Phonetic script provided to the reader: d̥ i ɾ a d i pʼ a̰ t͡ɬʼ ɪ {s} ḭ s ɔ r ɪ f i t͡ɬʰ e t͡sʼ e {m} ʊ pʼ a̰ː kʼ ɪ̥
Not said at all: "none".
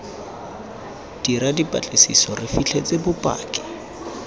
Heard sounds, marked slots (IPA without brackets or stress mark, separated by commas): s, b